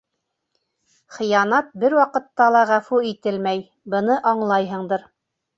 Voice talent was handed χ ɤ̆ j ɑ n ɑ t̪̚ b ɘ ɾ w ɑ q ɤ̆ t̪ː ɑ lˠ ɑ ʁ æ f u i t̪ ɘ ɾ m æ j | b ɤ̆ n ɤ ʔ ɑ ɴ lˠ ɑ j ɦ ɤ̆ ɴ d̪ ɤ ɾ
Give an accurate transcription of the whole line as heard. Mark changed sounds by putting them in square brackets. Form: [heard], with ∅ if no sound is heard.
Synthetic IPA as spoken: χ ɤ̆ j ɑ n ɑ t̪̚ b ɘ ɾ w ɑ q ɤ̆ t̪ː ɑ lˠ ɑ ʁ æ f u i t̪ ɘ [l] m æ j | b ɤ̆ n ɤ ʔ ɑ ɴ lˠ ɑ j ɦ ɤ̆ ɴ d̪ ɤ ɾ